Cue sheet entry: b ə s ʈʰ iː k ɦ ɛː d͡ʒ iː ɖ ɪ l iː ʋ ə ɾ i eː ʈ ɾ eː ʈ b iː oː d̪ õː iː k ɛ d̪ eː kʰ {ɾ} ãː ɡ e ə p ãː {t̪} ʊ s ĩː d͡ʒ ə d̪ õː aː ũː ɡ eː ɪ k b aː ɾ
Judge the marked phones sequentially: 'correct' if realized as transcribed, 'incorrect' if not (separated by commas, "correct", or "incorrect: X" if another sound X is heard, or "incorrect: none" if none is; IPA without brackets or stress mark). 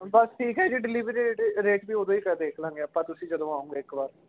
incorrect: l, correct